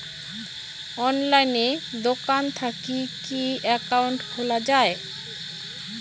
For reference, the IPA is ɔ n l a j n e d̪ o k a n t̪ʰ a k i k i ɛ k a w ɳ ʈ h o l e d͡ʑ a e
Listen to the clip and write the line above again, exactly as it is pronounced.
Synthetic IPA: ɔ n l a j n e d̪ o k a n t̪ʰ a k i k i ɛ k a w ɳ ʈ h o l a d͡ʑ a e